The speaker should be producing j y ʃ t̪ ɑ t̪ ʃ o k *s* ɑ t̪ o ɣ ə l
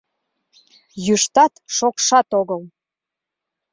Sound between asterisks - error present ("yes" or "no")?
yes